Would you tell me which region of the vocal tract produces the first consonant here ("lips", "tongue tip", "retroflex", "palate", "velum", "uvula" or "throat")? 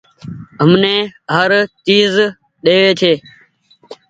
throat